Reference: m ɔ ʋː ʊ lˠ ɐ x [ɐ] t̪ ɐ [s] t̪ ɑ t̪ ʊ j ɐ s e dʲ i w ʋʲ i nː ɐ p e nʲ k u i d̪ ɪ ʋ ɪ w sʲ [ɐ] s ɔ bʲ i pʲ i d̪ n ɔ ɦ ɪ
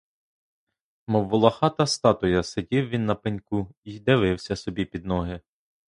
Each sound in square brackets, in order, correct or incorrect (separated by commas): incorrect, correct, correct